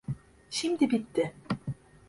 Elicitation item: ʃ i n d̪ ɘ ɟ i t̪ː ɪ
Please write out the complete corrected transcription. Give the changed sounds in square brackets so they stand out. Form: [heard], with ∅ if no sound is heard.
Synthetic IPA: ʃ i [m] d̪ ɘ [b] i t̪ː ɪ

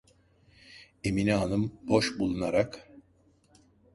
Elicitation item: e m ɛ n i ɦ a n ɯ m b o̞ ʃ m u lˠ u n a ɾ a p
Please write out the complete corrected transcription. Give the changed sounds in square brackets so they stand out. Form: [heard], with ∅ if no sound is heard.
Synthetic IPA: e m [i] n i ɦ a n ɯ m b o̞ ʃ [b] u lˠ u n a ɾ a [k]

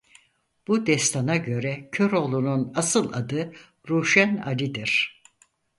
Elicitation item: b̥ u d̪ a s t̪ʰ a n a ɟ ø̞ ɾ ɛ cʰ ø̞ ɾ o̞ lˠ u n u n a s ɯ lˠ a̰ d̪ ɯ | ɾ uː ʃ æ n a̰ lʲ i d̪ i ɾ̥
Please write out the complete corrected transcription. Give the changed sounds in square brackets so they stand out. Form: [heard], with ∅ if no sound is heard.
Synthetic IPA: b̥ u d̪ [ɛ] s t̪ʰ a n a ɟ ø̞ ɾ ɛ cʰ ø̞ ɾ o̞ lˠ u n u n a s ɯ lˠ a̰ d̪ ɯ | ɾ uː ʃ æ n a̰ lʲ i d̪ i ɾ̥

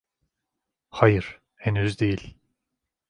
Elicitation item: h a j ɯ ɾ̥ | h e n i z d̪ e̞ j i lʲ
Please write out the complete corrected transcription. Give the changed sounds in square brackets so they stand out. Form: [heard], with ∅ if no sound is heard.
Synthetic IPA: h a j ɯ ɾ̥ | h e n [y] z d̪ e̞ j i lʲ

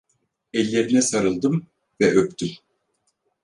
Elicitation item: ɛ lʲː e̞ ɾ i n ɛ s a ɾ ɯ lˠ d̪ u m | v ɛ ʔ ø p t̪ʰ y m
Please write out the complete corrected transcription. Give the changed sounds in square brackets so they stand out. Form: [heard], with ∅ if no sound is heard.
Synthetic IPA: ɛ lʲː e̞ ɾ i n ɛ s a ɾ ɯ lˠ d̪ [ɯ] m | v ɛ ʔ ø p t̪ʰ y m

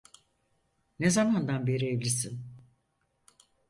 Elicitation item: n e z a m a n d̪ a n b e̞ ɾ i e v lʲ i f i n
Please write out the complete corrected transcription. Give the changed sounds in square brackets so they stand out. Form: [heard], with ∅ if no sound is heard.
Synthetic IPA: n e z a m a n d̪ a n b e̞ ɾ i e v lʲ i [s] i n

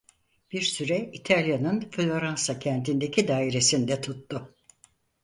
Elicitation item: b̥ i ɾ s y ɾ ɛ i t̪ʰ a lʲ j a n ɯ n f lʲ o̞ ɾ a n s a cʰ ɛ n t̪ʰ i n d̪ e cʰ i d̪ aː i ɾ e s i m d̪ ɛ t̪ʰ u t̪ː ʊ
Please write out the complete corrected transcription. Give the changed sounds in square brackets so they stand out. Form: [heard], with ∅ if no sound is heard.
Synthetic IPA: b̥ i ɾ s y ɾ ɛ i t̪ʰ a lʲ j a n ɯ n f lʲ o̞ ɾ a n s a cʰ ɛ n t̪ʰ i n d̪ e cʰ i d̪ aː i ɾ e s i [n] d̪ ɛ t̪ʰ u t̪ː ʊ

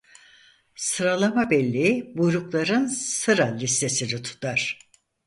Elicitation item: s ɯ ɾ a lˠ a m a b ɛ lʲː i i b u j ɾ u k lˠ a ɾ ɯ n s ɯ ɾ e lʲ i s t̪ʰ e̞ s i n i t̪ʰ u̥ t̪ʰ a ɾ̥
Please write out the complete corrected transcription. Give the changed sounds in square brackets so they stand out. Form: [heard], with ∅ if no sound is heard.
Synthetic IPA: s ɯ ɾ a lˠ a m a b ɛ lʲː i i b u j ɾ u k lˠ a ɾ ɯ n s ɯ ɾ [a] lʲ i s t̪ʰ e̞ s i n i t̪ʰ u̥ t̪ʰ a ɾ̥

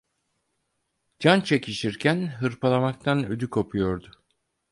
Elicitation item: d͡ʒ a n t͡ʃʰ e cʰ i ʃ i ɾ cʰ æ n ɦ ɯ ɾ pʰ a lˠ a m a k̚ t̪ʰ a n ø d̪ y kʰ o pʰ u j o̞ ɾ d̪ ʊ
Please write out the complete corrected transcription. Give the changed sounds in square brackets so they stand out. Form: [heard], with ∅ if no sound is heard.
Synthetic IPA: d͡ʒ a n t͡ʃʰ e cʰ i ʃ i ɾ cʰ æ n ɦ ɯ ɾ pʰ a lˠ a m a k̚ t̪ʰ a n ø d̪ y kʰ o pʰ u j o̞ ɾ d̪ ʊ

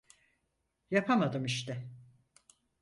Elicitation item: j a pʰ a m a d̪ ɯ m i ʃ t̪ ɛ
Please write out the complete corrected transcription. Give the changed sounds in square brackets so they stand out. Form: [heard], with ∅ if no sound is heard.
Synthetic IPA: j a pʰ a m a d̪ ɯ m i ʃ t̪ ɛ

